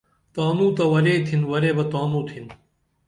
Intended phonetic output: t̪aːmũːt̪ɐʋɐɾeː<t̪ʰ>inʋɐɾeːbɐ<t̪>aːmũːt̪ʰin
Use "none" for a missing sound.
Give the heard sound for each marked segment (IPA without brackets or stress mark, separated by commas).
t̪ʰ, t̪